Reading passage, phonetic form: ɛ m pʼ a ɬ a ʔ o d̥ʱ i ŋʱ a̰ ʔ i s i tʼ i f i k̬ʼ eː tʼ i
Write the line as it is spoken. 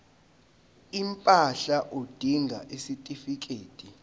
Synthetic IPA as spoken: i m pʼ a ɬ a ʔ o d̥ʱ i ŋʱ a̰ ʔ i s i tʼ i f i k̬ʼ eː tʼ i